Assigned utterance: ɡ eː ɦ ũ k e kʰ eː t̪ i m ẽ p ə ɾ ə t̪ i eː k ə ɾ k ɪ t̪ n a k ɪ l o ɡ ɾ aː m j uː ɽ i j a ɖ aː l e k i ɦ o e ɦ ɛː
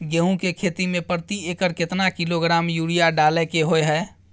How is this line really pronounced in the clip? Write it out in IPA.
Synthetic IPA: ɡ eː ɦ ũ k e kʰ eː t̪ i m ẽ p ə ɾ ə t̪ i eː k ə ɾ k ɪ t̪ n a k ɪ l o ɡ ɾ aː m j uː ɽ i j a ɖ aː l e k e ɦ o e ɦ ɛː